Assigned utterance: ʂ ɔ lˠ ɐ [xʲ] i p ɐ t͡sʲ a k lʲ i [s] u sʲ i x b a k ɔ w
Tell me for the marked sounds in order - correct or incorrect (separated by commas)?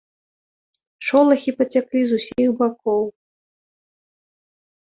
correct, incorrect